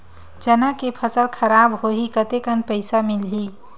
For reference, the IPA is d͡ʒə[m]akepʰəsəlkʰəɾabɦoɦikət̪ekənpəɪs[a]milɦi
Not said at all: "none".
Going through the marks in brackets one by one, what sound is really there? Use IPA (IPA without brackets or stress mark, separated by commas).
n, a